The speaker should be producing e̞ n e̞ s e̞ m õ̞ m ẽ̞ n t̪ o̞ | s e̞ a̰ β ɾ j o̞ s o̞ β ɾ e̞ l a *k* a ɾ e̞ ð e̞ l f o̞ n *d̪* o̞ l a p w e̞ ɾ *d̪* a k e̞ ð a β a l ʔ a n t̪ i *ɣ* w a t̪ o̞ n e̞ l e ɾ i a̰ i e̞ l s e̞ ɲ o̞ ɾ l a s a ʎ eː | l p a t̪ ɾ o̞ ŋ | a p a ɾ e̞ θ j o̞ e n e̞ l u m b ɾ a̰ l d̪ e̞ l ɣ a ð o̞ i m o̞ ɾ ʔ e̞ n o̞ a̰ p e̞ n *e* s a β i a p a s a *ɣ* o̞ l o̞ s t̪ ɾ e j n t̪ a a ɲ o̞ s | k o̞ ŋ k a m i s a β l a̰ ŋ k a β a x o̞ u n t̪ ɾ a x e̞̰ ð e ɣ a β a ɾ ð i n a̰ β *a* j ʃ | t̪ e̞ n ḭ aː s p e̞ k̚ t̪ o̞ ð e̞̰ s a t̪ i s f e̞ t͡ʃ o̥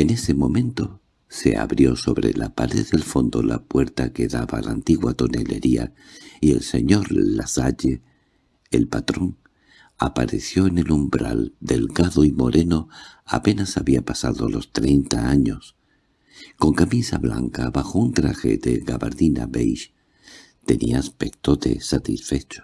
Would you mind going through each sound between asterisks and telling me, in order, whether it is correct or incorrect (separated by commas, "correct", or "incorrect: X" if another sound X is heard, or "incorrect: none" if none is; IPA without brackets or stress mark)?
incorrect: p, correct, incorrect: t̪, correct, incorrect: a, incorrect: ð, incorrect: e